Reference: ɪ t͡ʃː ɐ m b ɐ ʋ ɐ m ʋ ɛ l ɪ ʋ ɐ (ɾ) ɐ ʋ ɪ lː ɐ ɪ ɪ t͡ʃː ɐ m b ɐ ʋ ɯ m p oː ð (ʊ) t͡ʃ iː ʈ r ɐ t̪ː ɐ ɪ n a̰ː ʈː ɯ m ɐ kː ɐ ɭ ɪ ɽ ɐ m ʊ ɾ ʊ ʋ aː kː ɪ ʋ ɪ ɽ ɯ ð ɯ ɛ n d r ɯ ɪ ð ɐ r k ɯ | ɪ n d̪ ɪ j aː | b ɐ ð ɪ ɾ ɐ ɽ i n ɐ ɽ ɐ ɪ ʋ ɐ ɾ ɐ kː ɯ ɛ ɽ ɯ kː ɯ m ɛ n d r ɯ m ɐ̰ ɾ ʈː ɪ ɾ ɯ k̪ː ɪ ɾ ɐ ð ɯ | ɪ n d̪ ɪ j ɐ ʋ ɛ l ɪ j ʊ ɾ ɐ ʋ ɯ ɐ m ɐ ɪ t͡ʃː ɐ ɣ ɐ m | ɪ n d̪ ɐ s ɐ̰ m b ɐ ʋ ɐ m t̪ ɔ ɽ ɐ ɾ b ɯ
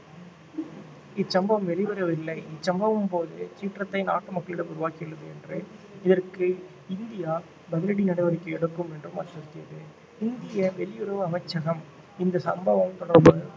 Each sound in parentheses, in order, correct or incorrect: correct, incorrect: ɯ

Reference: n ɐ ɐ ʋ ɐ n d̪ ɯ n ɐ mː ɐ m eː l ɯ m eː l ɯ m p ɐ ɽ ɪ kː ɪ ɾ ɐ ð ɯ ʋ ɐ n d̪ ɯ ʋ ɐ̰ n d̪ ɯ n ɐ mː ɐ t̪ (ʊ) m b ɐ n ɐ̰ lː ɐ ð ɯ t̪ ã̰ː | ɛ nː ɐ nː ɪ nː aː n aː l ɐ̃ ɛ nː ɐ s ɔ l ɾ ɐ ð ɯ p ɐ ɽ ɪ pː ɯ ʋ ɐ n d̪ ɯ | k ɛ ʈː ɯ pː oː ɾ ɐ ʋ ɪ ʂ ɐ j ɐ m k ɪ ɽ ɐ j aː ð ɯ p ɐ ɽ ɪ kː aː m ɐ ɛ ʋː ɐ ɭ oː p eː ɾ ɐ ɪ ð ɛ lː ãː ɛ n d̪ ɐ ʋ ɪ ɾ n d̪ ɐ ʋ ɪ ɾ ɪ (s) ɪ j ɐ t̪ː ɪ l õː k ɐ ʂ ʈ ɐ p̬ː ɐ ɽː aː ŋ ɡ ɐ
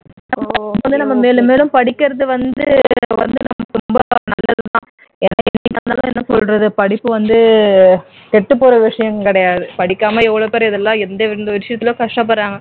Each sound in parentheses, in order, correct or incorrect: correct, incorrect: ʂ

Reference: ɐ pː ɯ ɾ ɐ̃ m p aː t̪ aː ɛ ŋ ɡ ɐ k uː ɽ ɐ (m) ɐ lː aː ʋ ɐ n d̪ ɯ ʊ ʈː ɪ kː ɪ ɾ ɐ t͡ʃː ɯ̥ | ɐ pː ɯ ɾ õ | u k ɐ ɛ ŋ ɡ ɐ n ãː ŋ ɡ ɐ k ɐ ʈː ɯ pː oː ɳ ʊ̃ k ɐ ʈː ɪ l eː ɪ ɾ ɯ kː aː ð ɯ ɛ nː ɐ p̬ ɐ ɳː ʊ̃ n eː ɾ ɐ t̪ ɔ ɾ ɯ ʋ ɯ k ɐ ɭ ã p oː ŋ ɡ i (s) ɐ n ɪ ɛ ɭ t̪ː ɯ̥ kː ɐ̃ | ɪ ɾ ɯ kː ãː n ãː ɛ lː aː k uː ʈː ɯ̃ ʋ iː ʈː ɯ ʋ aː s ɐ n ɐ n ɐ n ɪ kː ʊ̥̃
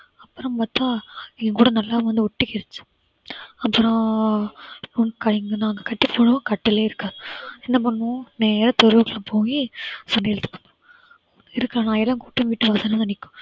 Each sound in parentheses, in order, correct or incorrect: incorrect: n, correct

